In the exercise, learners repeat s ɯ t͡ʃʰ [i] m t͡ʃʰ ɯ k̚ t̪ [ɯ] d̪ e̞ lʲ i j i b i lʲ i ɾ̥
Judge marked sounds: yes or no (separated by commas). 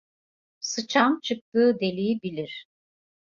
no, no